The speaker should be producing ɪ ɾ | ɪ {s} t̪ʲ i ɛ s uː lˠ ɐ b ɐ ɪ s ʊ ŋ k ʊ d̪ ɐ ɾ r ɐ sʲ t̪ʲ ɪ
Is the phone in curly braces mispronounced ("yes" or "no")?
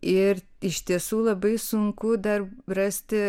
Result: yes